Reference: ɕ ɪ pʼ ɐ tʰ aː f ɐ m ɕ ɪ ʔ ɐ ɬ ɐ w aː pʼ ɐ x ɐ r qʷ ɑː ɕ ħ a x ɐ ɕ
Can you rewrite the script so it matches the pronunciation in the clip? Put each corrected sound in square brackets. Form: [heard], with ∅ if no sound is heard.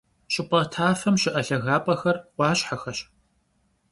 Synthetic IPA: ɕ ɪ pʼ ɐ tʰ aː f ɐ m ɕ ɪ ʔ ɐ ɬ ɐ [ɣ] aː pʼ ɐ x ɐ r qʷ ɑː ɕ ħ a x ɐ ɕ

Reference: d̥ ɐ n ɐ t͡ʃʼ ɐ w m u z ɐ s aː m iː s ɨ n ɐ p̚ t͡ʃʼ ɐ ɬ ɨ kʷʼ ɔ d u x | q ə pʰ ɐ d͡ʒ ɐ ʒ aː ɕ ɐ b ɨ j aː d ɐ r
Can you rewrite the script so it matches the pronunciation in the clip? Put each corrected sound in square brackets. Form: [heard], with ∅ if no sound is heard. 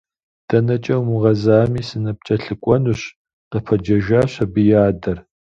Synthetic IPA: d̥ ɐ n ɐ t͡ʃʼ ɐ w m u [ʁ] ɐ [z] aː m iː s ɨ n ɐ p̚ t͡ʃʼ ɐ ɬ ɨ kʷʼ ɔ [n] u [ɕ] | q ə pʰ ɐ d͡ʒ ɐ ʒ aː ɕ ɐ b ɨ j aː d ɐ r

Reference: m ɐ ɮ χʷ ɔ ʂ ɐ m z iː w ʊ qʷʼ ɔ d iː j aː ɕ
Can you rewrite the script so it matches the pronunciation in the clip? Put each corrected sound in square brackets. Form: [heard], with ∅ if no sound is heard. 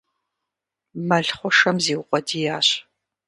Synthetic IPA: m ɐ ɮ χʷ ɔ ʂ ɐ m z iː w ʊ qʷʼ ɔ d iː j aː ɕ

